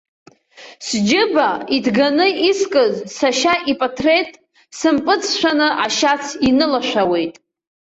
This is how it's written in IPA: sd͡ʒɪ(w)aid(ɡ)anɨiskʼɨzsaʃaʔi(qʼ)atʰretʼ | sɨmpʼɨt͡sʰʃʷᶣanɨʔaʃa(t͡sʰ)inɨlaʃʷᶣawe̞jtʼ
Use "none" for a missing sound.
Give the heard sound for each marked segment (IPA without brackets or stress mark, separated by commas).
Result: b, ɡ, pʼ, t͡sʰ